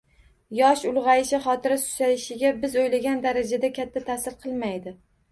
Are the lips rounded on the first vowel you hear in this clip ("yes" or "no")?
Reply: yes